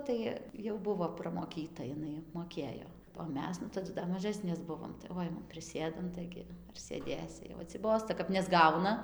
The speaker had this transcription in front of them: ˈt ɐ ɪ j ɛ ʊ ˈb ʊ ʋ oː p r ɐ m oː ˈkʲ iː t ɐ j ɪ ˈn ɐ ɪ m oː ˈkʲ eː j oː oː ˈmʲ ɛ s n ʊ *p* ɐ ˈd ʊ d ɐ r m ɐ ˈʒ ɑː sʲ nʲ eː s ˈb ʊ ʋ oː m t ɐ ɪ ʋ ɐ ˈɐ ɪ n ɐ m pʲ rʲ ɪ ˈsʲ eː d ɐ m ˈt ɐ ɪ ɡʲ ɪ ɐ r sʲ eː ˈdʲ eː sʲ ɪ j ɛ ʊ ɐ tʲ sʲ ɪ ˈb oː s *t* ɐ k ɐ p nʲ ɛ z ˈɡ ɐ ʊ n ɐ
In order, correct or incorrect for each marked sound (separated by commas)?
incorrect, correct